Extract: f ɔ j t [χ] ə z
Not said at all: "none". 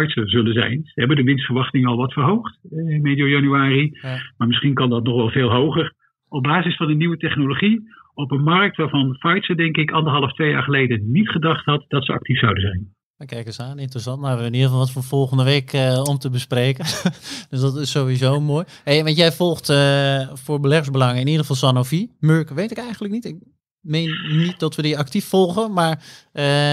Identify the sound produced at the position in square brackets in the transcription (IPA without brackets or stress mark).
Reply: s